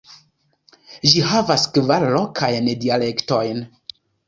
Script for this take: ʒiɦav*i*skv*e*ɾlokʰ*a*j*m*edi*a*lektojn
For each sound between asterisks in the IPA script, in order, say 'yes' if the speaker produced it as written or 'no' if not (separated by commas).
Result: no, no, yes, no, yes